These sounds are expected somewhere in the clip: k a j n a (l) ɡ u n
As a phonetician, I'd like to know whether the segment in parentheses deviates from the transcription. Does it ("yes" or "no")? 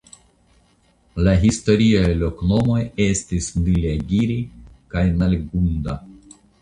no